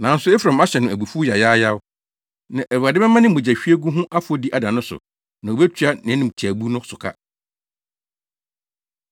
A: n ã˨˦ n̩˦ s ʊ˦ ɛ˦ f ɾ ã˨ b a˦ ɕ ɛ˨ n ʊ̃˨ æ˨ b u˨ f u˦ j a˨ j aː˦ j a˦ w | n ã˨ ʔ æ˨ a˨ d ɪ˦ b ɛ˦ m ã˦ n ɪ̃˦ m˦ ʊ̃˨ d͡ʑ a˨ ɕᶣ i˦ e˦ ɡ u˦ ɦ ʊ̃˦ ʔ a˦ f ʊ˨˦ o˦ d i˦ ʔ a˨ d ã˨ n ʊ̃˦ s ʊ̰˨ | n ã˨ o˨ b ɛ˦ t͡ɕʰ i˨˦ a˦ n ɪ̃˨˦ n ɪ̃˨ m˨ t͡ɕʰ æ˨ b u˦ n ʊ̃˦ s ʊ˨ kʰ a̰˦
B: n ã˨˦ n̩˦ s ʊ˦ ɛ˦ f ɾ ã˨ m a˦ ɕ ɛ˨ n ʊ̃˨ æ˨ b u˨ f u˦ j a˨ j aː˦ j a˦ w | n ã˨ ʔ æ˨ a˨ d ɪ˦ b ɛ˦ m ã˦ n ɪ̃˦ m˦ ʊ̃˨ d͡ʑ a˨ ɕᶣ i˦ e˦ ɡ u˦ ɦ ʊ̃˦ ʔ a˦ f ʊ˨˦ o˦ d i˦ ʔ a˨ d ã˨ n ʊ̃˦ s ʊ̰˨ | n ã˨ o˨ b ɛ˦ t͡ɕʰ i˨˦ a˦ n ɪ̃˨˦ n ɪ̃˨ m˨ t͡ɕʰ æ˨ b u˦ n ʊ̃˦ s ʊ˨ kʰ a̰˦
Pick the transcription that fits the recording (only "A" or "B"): B